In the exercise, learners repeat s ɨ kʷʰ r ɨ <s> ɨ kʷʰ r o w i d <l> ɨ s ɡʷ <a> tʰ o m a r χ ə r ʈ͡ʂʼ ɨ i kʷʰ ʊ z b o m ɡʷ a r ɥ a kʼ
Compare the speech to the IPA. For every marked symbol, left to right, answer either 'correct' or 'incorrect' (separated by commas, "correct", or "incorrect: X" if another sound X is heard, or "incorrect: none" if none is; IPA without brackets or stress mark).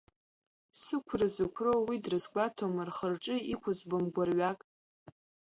incorrect: z, incorrect: r, correct